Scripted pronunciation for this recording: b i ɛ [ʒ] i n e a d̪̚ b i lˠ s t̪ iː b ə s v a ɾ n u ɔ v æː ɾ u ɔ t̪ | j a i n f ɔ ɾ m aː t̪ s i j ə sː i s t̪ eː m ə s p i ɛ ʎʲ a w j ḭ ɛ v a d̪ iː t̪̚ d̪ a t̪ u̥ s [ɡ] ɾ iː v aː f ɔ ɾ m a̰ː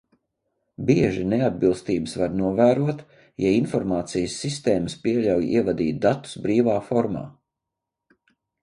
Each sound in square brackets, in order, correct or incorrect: correct, incorrect: b

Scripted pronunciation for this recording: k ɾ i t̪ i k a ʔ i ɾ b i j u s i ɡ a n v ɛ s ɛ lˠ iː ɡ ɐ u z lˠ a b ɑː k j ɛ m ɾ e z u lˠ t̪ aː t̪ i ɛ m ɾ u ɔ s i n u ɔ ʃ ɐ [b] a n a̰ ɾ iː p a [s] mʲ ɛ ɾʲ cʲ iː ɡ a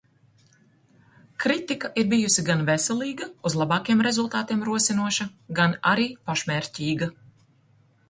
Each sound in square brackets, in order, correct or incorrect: incorrect: ɡ, incorrect: ʃ

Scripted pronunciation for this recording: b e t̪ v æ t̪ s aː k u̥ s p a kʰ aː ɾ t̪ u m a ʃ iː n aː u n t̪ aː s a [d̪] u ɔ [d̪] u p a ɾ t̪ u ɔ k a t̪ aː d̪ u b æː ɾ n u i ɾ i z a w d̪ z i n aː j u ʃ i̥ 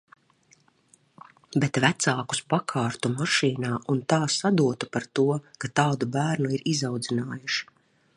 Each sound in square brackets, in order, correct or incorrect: correct, incorrect: t̪

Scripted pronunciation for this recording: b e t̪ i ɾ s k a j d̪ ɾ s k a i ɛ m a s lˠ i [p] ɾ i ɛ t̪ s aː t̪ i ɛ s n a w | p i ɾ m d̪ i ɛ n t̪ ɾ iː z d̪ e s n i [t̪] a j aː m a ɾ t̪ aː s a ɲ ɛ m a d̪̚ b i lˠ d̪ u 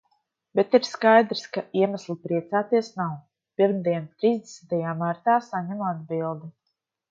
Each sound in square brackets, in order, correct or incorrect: correct, correct

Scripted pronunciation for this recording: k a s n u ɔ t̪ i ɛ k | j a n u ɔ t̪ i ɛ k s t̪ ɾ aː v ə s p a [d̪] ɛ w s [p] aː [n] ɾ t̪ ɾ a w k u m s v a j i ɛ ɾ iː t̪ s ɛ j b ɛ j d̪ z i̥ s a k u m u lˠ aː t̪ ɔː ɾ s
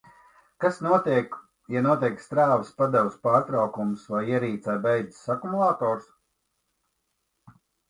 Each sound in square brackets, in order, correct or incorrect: correct, correct, incorrect: none

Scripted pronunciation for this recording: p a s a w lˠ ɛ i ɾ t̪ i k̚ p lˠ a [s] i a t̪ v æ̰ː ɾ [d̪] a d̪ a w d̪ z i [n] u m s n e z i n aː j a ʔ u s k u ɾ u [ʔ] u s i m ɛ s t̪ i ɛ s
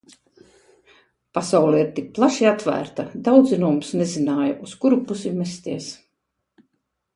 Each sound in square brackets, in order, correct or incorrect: incorrect: ʃ, incorrect: t̪, correct, incorrect: p

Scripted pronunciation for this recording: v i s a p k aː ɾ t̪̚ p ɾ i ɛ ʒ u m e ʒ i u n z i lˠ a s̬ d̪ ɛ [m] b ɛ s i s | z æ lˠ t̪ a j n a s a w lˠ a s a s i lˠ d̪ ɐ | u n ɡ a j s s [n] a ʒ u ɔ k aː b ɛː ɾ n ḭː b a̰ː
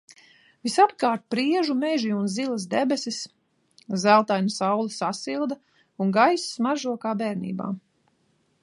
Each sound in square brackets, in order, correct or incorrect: incorrect: none, incorrect: m

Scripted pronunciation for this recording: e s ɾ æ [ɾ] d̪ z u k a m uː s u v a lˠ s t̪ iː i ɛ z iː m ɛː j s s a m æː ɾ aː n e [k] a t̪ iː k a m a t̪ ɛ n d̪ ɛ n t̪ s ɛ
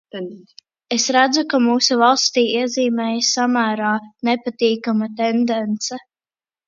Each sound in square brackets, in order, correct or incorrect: incorrect: none, incorrect: p

